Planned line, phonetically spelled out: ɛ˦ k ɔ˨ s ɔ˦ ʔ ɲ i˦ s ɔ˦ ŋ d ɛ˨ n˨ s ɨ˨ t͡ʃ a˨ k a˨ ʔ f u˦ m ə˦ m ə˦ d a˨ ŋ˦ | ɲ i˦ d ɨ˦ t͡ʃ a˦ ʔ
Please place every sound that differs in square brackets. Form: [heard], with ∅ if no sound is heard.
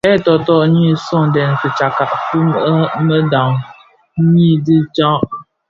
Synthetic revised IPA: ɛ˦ [t] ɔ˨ [t] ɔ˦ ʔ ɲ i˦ s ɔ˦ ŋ d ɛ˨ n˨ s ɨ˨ t͡ʃ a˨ k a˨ ʔ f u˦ m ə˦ m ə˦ d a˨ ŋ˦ | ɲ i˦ d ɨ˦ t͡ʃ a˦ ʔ

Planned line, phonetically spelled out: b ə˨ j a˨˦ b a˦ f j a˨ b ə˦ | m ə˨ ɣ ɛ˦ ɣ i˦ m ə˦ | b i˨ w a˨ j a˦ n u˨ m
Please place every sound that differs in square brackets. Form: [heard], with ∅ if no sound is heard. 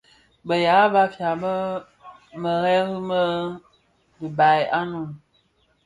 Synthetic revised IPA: b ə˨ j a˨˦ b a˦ f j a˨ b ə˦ | m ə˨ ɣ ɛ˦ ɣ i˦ m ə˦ | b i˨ [b] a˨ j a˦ n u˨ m

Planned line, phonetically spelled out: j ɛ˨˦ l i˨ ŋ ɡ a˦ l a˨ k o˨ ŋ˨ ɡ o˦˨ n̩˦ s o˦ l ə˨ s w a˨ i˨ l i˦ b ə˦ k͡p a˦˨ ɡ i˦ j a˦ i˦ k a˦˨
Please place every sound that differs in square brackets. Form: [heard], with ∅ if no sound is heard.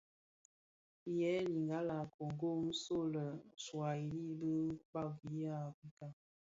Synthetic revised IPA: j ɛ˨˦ l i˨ ŋ ɡ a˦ l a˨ k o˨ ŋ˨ ɡ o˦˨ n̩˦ s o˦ l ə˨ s w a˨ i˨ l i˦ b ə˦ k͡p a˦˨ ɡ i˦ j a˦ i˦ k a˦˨

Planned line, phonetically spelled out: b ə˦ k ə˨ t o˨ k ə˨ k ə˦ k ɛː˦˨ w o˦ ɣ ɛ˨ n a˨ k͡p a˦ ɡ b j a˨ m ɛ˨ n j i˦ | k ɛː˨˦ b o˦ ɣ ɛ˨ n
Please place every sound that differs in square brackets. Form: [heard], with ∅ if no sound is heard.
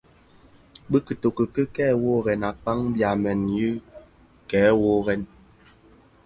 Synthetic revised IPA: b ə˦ k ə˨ t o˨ k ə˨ k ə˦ k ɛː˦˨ w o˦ ɣ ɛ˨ n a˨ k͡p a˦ [ŋ] b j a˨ m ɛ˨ n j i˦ | k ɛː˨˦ [w] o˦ ɣ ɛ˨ n

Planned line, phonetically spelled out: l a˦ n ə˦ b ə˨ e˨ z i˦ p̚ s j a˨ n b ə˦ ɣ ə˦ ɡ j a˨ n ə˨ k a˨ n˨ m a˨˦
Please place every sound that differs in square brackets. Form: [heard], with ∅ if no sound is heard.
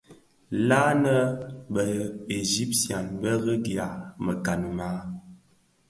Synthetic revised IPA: l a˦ n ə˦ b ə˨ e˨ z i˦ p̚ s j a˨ n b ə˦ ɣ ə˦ ɡ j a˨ [m] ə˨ k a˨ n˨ m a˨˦

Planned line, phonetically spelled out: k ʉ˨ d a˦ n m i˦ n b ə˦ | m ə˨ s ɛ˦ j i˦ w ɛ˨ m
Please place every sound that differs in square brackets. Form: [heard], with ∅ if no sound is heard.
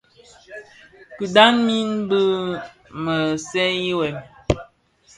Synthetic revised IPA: k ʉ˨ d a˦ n m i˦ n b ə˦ | m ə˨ s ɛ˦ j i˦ w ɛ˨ m

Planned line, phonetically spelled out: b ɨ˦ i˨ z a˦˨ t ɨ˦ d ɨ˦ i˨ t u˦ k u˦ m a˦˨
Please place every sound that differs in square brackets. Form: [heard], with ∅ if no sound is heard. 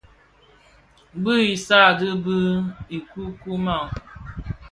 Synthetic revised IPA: b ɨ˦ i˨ [s] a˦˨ [d] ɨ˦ [b] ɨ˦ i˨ [k] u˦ k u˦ m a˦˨

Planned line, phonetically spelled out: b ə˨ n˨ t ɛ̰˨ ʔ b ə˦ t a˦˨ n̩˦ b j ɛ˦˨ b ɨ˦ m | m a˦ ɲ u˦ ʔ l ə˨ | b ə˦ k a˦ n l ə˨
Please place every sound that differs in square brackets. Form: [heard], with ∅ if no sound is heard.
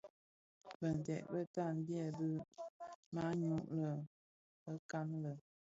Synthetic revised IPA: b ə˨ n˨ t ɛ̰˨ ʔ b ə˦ t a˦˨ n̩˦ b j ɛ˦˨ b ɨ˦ [∅] | m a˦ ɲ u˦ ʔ l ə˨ | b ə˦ k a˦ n l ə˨

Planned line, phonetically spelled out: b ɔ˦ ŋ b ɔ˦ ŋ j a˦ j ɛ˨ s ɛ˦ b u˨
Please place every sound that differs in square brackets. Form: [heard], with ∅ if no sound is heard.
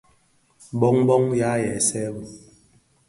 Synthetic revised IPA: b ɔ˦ ŋ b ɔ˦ ŋ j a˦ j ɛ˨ s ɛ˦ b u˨

